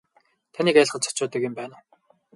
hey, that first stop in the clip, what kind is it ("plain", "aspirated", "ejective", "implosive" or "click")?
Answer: aspirated